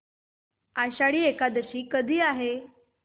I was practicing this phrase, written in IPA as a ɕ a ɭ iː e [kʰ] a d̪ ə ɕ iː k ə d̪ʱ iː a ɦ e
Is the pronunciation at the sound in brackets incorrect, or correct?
incorrect